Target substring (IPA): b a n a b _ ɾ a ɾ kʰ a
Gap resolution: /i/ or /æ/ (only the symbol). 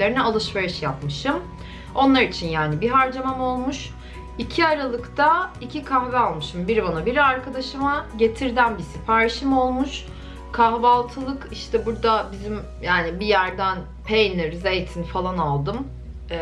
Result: i